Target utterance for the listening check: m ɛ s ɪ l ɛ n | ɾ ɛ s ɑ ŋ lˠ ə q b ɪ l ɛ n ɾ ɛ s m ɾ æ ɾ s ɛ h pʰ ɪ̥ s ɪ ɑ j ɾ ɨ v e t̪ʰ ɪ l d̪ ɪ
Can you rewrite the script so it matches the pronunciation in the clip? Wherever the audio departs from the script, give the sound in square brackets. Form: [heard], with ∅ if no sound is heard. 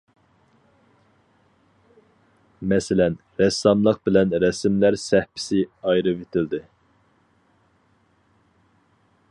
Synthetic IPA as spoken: m ɛ s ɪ l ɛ n | ɾ ɛ s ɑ [m] lˠ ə q b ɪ l ɛ n ɾ ɛ s m [l] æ ɾ s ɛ h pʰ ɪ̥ s ɪ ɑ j ɾ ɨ v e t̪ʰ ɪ l d̪ ɪ